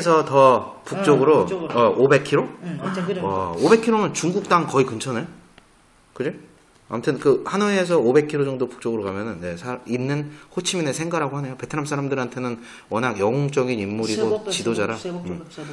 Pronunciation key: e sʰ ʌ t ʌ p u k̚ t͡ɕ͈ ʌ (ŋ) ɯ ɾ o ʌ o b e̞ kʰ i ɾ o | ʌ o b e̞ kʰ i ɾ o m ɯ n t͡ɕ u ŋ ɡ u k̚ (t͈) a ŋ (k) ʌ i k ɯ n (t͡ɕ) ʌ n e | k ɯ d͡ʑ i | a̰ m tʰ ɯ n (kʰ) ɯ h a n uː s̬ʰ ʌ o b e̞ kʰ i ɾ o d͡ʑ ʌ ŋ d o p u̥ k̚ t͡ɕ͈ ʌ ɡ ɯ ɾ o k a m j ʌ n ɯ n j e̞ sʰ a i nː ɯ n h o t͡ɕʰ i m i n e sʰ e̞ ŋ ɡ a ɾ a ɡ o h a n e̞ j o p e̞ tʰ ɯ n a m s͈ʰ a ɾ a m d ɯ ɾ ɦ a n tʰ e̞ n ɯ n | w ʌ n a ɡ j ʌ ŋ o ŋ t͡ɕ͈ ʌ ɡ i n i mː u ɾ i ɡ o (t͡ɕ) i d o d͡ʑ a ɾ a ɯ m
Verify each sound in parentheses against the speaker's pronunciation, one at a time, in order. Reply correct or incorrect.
incorrect, correct, correct, incorrect, incorrect, correct

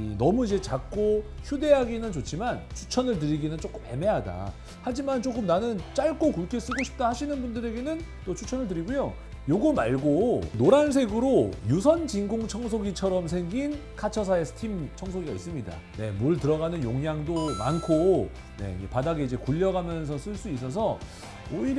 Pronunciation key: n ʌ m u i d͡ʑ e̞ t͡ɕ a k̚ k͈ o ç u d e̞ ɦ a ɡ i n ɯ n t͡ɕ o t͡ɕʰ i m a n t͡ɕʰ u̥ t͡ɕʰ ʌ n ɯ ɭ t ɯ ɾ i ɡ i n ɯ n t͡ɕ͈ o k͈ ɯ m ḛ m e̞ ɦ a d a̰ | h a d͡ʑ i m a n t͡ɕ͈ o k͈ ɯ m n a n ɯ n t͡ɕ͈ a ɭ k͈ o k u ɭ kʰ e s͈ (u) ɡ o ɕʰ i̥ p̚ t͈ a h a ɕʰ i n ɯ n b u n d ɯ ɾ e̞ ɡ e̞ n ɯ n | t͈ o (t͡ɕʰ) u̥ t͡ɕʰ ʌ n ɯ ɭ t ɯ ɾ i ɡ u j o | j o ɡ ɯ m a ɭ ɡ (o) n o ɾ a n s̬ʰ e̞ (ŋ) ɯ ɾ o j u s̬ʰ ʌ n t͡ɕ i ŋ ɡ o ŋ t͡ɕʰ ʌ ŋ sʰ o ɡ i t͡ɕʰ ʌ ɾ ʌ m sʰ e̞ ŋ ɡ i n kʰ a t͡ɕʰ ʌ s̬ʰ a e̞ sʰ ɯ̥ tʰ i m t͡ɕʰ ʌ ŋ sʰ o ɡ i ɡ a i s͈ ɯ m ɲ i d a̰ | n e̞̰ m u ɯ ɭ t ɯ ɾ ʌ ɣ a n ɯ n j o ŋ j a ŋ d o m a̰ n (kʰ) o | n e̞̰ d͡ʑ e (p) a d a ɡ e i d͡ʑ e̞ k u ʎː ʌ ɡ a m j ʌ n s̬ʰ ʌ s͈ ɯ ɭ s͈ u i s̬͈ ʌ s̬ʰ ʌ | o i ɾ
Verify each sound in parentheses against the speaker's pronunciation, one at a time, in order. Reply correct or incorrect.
incorrect, correct, correct, incorrect, correct, correct

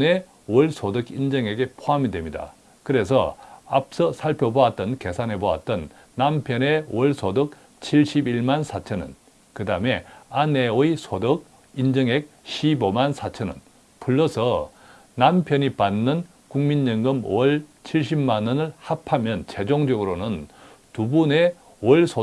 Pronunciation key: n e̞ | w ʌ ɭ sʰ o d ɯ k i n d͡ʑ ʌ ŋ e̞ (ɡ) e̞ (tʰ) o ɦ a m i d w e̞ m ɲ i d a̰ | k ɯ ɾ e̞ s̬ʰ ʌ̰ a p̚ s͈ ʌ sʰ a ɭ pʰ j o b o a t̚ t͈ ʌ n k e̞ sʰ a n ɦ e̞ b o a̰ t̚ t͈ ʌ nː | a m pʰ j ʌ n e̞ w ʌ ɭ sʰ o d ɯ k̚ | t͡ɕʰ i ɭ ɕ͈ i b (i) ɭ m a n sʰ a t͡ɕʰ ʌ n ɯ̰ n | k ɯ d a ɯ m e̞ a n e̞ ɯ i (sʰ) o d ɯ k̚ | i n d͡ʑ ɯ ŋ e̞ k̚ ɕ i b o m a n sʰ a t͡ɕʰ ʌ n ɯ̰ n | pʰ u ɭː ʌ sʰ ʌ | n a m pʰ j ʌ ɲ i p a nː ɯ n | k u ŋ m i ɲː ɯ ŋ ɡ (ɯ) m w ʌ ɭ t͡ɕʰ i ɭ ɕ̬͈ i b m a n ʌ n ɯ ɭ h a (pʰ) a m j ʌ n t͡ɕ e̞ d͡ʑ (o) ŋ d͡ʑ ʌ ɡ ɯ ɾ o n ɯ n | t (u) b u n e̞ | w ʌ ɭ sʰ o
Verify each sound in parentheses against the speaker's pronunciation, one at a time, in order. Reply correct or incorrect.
correct, incorrect, correct, correct, correct, correct, correct, correct

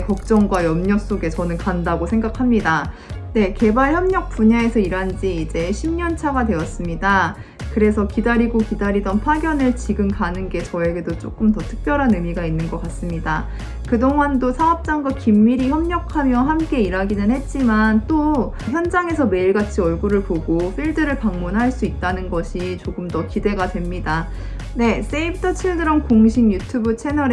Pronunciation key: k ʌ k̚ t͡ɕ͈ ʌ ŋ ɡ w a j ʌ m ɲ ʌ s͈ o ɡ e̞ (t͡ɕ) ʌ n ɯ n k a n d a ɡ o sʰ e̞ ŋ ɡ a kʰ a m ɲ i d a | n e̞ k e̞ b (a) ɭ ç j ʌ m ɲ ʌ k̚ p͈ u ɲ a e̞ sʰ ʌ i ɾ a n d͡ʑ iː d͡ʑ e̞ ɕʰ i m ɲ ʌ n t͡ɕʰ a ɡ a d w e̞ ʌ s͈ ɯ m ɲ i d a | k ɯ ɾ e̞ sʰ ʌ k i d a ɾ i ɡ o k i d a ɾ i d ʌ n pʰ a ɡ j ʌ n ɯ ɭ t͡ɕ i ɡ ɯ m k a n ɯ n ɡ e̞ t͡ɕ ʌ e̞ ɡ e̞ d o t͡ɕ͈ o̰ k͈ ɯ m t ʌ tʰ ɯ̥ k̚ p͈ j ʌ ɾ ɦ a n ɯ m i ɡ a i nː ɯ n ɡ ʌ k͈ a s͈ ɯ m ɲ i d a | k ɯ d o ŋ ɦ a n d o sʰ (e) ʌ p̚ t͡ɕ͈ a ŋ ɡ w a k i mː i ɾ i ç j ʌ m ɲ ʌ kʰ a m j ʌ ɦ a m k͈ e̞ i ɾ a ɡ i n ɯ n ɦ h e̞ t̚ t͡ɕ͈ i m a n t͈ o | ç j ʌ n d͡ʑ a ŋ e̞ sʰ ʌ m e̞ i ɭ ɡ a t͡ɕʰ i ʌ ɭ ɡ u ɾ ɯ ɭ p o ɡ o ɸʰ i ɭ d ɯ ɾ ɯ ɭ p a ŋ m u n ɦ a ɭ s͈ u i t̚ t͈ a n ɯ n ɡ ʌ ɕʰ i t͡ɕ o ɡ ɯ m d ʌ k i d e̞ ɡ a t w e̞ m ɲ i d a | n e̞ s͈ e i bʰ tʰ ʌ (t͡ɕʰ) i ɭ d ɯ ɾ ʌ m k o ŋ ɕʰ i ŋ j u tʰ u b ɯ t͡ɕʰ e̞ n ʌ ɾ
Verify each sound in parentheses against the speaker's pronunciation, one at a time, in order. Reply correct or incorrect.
correct, correct, incorrect, correct

